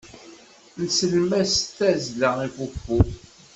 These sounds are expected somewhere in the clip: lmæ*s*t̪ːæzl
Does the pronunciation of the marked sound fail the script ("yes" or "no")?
no